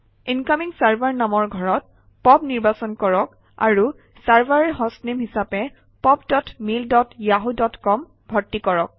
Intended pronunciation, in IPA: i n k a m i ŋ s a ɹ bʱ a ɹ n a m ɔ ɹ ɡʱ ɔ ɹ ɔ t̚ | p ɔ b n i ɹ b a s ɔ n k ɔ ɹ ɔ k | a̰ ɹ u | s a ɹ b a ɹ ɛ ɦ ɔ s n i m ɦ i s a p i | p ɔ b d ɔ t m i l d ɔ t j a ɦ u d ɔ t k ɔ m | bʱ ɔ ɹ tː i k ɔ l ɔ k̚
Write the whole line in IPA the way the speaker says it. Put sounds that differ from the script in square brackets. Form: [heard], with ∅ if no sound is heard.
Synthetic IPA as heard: i n k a m i ŋ s a ɹ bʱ a ɹ n a m ɔ ɹ ɡʱ ɔ ɹ ɔ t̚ | p ɔ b n i ɹ b a s ɔ n k ɔ ɹ ɔ k | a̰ ɹ u | s a ɹ b a ɹ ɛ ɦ ɔ s n i m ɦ i s a p [ɛ] | p ɔ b d ɔ t m i l d ɔ t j a ɦ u d ɔ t k ɔ m | bʱ ɔ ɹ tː i k ɔ [ɹ] ɔ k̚